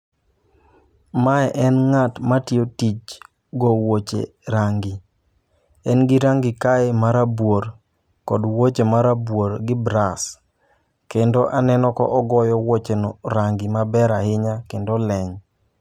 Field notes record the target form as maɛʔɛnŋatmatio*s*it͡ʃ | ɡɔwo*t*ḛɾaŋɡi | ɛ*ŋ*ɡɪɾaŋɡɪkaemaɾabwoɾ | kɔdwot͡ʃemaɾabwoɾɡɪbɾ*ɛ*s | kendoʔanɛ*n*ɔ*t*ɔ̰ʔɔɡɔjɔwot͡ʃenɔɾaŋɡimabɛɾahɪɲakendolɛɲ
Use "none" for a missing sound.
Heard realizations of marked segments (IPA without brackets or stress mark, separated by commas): t, t͡ʃ, n, a, n, k